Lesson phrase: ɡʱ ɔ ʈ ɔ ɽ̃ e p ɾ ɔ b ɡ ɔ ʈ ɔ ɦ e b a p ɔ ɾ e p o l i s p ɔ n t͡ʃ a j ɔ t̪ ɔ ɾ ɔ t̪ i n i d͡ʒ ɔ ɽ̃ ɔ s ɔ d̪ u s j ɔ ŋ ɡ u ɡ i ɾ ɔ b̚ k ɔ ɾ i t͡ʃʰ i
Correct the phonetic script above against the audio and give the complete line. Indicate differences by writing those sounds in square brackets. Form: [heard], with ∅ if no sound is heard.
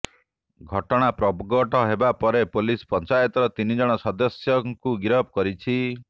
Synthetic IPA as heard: ɡʱ ɔ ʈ ɔ ɽ̃ [a] p ɾ ɔ b ɡ ɔ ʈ ɔ ɦ e b a p ɔ ɾ e p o l i s p ɔ n t͡ʃ a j ɔ t̪ ɔ ɾ ɔ t̪ i n i d͡ʒ ɔ ɽ̃ ɔ s ɔ d̪ [ɔ] s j ɔ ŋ [k] u ɡ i ɾ ɔ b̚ k ɔ ɾ i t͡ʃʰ i